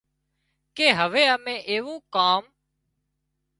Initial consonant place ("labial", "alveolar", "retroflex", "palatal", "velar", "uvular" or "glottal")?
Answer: velar